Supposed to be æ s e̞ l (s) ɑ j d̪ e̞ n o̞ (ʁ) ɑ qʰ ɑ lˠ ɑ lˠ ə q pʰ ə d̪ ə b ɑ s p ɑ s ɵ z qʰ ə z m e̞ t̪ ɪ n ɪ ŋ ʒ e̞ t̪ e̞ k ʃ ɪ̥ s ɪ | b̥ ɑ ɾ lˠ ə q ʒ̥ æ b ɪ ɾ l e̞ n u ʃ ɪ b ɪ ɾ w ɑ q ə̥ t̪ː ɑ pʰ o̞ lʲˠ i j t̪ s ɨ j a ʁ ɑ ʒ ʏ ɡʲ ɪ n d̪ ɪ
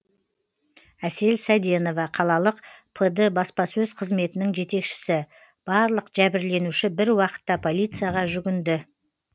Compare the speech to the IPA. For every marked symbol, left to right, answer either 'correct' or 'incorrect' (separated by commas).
correct, incorrect